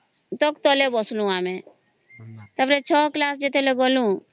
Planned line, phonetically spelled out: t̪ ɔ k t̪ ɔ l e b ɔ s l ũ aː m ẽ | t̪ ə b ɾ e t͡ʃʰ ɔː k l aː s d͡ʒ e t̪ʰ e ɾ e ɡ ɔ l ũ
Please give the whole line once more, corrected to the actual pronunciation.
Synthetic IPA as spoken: t̪ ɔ k t̪ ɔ l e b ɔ s l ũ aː m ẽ | t̪ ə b ɾ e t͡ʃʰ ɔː k l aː s d͡ʒ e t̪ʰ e l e ɡ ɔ l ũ